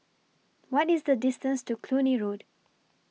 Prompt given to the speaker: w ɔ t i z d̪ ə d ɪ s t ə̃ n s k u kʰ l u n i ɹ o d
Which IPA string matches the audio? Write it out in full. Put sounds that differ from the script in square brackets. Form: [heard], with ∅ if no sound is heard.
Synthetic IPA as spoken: w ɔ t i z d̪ ə d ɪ s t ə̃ n s [t] u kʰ l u n i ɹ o d